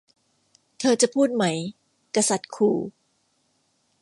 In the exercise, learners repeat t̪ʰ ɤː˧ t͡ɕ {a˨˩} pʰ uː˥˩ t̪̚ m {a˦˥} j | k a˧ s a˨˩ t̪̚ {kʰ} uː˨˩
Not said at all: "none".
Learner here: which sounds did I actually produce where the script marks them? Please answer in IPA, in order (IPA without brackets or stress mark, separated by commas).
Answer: a˨˩, a˦˥, kʰ